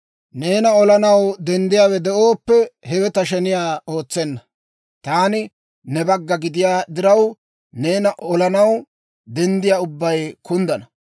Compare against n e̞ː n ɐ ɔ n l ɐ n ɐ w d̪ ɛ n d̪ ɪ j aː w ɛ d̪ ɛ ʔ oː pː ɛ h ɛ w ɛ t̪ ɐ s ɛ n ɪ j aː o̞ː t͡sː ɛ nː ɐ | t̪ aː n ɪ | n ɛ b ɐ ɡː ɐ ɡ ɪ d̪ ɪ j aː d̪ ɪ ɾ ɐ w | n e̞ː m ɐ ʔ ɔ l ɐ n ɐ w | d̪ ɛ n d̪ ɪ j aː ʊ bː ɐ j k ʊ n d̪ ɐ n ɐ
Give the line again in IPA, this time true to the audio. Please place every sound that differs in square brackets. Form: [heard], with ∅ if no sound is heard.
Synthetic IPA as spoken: n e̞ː n ɐ ɔ [∅] l ɐ n ɐ w d̪ ɛ n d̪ ɪ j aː w ɛ d̪ ɛ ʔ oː pː ɛ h ɛ w ɛ t̪ ɐ [ʃ] ɛ n ɪ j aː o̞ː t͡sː ɛ nː ɐ | t̪ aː n ɪ | n ɛ b ɐ ɡː ɐ ɡ ɪ d̪ ɪ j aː d̪ ɪ ɾ ɐ w | n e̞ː [n] ɐ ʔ ɔ l ɐ n ɐ w | d̪ ɛ n d̪ ɪ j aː ʊ bː ɐ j k ʊ n d̪ ɐ n ɐ